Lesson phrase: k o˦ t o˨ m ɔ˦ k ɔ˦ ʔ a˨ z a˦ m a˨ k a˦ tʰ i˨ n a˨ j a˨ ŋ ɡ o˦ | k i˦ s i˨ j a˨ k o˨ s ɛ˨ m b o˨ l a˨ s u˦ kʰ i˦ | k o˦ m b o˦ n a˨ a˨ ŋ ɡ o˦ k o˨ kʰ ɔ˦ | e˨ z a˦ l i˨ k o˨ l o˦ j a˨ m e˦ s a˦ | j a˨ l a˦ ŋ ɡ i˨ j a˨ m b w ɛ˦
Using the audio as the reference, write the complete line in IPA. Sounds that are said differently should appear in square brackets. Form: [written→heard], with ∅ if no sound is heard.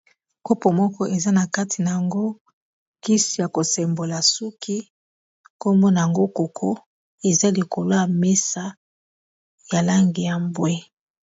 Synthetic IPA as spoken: k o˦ [t→p] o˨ m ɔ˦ k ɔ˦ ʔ [a˨→e˨] z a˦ [m→n] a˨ k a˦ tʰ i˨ n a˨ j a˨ ŋ ɡ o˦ | k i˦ s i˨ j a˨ k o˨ s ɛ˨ m b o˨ l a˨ s u˦ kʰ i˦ | k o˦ m b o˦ n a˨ a˨ ŋ ɡ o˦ k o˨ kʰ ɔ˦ | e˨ z a˦ l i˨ k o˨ l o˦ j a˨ m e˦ s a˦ | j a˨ l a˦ ŋ ɡ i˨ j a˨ m b w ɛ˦

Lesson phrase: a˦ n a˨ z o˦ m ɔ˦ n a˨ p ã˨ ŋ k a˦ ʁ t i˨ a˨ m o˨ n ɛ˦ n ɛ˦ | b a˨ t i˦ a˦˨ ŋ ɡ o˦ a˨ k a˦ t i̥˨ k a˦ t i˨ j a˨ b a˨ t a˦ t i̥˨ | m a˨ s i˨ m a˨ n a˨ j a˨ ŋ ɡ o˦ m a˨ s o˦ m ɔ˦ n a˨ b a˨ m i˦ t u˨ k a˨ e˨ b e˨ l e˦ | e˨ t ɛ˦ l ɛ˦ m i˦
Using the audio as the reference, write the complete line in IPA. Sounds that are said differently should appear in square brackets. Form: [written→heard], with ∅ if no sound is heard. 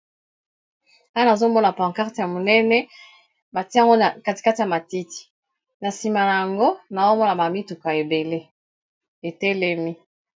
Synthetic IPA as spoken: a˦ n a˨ z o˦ m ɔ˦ n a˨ p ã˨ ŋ k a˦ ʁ t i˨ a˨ m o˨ n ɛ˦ n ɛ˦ | b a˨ t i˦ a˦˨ ŋ ɡ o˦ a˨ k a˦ t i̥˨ k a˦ t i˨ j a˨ [b→m] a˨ t [a˦→i˦] t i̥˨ | [m→n] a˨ s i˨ m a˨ n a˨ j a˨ ŋ ɡ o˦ [m→n] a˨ [s→z] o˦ m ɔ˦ n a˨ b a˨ m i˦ t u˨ k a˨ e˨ b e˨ l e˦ | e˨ t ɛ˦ l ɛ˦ m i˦

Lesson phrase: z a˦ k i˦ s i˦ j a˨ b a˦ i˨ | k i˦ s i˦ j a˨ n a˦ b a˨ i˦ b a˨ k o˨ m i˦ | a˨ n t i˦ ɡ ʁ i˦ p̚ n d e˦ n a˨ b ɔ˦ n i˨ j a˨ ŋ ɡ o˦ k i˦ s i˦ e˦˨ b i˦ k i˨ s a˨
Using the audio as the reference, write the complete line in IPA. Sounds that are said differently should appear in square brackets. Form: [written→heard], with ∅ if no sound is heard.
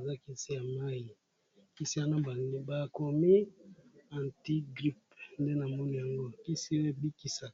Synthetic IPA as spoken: z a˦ k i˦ s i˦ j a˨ [b→m] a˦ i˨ | k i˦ s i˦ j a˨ n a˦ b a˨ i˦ b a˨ k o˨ m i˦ | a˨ n t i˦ ɡ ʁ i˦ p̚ n d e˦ n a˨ [b→m] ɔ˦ n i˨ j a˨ ŋ ɡ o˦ k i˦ s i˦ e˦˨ b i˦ k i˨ s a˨

